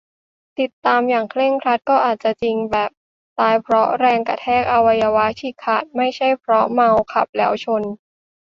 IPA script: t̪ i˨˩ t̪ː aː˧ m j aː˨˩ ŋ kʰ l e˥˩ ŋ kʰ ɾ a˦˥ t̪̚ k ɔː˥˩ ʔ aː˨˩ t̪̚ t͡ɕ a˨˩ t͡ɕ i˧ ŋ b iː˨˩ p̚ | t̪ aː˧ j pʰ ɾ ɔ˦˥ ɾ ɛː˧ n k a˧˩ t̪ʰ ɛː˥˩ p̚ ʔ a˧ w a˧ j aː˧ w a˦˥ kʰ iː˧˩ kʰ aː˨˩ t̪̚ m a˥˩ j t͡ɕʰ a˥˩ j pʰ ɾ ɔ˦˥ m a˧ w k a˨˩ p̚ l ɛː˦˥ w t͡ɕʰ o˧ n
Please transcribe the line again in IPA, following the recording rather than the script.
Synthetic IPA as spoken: t̪ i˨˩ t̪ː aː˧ m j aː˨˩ ŋ kʰ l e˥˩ ŋ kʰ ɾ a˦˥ t̪̚ k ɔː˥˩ ʔ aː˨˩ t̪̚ t͡ɕ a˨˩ t͡ɕ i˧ ŋ b ɛː˨˩ p̚ | t̪ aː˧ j pʰ ɾ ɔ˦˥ ɾ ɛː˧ ŋ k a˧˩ t̪ʰ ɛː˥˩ k̚ ʔ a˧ w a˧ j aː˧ w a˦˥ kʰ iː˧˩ kʰ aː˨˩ t̪̚ m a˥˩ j t͡ɕʰ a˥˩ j pʰ ɾ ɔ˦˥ m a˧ w kʰ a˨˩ p̚ l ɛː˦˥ w t͡ɕʰ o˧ n

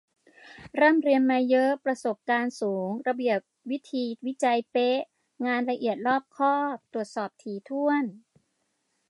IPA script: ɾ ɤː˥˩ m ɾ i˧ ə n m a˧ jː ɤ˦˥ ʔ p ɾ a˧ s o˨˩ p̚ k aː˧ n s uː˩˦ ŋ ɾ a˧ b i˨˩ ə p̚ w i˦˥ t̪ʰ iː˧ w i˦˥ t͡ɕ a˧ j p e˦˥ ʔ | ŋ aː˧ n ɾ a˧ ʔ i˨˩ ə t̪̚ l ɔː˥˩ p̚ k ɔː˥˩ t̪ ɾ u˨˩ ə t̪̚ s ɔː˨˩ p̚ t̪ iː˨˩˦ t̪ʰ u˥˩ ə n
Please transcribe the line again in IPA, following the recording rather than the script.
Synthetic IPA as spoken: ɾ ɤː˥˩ m ɾ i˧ ə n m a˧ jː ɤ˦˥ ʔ p ɾ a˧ s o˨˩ p̚ k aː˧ n s uː˩˦ ŋ ɾ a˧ b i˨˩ ə p̚ w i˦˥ t̪ʰ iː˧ w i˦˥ t͡ɕ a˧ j p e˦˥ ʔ | ŋ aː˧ n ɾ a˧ ʔ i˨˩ ə t̪̚ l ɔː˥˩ p̚ kʰ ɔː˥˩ t̪ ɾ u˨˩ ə t̪̚ s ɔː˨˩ p̚ t̪ʰ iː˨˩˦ t̪ʰ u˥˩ ə n

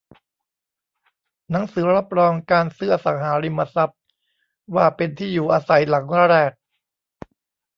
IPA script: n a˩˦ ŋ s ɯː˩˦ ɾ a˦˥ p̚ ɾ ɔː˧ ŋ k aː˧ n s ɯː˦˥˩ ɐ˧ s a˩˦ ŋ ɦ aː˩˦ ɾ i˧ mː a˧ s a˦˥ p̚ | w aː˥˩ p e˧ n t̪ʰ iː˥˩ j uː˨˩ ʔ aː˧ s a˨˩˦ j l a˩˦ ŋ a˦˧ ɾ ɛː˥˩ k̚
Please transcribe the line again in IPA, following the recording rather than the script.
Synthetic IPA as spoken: n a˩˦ ŋ s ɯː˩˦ ɾ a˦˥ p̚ ɾ ɔː˧ ŋ k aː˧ n s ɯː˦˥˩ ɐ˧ s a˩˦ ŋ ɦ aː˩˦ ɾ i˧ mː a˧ s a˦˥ p̚ | w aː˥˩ p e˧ n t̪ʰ iː˥˩ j uː˨˩ ʔ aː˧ s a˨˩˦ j l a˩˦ ŋ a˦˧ ɾ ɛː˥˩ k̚

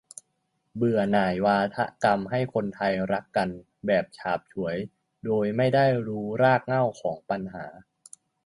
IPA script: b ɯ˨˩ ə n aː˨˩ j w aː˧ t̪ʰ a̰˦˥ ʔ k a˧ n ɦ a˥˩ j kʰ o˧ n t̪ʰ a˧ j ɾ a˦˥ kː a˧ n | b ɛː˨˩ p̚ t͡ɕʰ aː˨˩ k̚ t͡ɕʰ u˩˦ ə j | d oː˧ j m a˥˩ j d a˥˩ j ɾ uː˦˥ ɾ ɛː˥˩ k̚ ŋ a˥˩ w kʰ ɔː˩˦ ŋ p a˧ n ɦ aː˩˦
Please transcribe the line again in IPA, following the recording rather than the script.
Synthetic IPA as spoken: b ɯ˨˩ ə n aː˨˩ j w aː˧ t̪ʰ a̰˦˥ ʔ k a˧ m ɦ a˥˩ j kʰ o˧ n t̪ʰ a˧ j ɾ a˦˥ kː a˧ n | b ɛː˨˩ p̚ t͡ɕʰ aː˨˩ p̚ t͡ɕʰ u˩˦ ə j | d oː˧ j m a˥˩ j d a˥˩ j ɾ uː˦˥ ɾ aː˥˩ k̚ ŋ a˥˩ w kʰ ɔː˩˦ ŋ p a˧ n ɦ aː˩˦

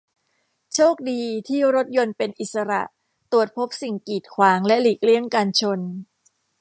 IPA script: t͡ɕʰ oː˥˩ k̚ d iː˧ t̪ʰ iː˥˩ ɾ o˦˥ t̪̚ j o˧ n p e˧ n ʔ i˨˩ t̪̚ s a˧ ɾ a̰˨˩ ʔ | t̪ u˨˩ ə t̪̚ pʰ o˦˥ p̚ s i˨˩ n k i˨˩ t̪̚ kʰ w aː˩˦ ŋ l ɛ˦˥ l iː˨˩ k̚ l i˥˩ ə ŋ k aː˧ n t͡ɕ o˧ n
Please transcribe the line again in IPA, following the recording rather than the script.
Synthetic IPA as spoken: t͡ɕʰ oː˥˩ k̚ d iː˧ t̪ʰ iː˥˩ ɾ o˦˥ t̪̚ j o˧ n p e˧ n ʔ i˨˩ t̪̚ s a˧ ɾ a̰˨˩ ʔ | t̪ u˨˩ ə t̪̚ pʰ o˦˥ p̚ s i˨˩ ŋ k iː˨˩ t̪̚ kʰ w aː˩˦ ŋ l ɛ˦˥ l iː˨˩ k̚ l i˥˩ ə ŋ k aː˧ n t͡ɕʰ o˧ n

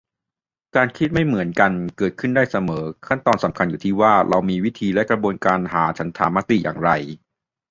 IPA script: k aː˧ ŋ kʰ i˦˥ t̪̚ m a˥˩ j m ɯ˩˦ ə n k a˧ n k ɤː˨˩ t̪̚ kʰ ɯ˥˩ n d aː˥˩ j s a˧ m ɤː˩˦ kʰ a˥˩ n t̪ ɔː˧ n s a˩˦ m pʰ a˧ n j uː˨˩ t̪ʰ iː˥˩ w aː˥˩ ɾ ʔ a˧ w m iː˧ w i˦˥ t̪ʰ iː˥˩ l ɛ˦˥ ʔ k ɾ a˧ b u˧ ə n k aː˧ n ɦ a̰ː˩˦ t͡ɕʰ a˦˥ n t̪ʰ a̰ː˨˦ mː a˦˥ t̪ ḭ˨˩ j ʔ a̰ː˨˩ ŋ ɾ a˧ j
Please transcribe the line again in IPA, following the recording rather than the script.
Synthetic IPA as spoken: k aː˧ n kʰ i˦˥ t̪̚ m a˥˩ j m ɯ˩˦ ə n k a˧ n k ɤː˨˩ t̪̚ kʰ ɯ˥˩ n d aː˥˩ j s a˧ m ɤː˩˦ kʰ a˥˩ n t̪ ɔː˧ n s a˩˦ m kʰ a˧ n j uː˨˩ t̪ʰ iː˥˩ w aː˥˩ ɾ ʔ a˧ w m iː˧ w i˦˥ t̪ʰ iː˧ l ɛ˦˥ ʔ k ɾ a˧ b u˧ ə n k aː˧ n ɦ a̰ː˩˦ t͡ɕʰ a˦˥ n t̪ʰ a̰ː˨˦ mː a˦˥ t̪ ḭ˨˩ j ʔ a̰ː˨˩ ŋ ɾ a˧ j

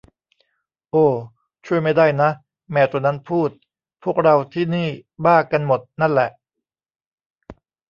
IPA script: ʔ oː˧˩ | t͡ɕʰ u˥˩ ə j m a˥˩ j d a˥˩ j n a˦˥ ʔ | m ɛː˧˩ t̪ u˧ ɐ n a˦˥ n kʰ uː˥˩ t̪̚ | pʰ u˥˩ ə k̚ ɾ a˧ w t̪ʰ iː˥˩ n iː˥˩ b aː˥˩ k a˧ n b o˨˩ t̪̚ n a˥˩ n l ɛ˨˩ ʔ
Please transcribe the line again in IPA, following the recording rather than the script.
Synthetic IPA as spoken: ʔ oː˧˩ | t͡ɕʰ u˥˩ ə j m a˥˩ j d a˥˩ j n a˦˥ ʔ | m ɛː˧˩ t̪ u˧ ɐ n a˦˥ n pʰ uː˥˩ t̪̚ | pʰ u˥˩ ə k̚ ɾ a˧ w t̪ʰ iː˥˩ n iː˥˩ b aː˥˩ k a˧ n m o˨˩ t̪̚ n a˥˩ n l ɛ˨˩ ʔ

